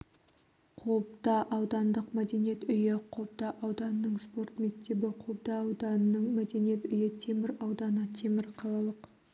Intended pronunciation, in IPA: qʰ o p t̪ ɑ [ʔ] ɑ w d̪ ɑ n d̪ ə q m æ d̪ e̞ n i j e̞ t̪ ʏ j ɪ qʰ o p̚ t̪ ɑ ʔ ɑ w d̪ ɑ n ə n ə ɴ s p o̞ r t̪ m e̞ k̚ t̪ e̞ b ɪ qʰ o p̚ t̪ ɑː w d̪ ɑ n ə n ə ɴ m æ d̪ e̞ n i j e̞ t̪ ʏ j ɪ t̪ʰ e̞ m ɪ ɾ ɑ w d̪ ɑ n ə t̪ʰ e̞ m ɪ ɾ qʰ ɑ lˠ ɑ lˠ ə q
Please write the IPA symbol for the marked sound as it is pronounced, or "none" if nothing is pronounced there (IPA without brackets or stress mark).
ʔ